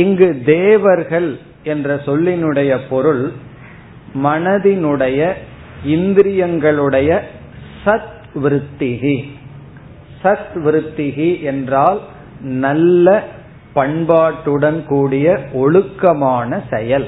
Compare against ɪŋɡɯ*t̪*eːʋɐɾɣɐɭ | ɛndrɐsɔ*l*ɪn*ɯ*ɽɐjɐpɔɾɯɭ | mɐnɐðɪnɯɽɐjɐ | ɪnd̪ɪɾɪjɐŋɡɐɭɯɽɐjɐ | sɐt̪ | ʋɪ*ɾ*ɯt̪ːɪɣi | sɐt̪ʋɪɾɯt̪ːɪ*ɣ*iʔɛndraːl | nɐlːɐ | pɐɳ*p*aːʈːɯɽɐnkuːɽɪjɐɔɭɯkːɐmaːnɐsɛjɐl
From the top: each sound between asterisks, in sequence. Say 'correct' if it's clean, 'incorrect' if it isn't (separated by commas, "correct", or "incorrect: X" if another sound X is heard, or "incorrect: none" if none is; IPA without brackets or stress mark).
incorrect: d̪, incorrect: lː, correct, correct, correct, incorrect: b